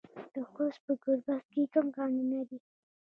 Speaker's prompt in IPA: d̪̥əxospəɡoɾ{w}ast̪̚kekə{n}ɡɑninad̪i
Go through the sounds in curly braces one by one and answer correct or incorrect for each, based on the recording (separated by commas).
incorrect, incorrect